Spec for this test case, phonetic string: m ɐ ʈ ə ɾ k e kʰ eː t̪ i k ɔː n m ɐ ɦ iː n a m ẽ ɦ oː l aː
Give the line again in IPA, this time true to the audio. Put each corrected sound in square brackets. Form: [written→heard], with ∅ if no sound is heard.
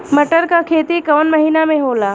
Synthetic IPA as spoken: m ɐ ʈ ə ɾ k [e→a] kʰ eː t̪ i k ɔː n m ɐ ɦ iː n a m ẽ ɦ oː l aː